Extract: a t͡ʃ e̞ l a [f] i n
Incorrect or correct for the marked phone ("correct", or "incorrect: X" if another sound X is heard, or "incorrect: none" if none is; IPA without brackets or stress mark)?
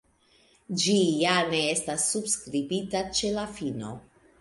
correct